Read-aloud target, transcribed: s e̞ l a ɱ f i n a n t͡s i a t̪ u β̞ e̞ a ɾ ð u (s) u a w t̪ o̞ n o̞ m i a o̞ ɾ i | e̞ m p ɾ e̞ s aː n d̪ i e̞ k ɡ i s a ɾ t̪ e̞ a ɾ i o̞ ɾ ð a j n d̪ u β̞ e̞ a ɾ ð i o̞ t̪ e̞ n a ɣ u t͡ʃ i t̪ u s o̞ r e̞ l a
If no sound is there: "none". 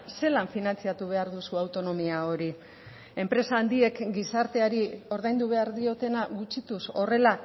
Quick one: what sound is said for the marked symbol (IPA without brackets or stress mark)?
s